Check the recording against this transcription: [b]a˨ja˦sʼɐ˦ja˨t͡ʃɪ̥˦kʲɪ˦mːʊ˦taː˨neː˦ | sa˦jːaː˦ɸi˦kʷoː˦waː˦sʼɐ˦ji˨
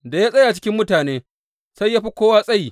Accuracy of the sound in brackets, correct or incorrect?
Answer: incorrect